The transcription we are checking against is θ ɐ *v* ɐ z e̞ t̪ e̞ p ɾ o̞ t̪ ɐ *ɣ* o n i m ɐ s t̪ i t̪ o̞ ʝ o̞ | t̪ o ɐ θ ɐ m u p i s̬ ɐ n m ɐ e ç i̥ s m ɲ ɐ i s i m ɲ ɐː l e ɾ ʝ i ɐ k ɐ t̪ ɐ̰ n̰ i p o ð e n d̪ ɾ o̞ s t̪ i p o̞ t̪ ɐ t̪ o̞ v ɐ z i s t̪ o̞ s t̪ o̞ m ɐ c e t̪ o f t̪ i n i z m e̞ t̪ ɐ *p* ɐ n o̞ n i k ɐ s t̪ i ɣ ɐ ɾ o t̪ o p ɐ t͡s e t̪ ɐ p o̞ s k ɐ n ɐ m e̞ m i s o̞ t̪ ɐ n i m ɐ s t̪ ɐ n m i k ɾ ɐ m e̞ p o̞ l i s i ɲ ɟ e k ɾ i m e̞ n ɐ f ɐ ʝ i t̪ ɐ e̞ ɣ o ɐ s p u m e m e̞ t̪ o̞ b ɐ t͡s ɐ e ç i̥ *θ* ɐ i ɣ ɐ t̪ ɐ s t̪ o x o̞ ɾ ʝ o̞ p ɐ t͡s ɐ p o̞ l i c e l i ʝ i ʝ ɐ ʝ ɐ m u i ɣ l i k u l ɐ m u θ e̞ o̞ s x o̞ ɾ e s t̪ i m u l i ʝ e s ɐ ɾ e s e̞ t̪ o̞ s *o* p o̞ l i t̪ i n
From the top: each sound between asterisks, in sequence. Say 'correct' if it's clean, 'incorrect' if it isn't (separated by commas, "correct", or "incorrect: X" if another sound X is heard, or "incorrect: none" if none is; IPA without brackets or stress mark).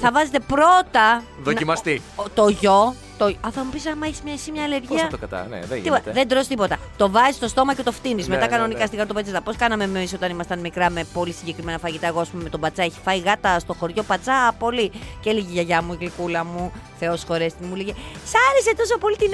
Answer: correct, incorrect: ð, incorrect: k, incorrect: f, correct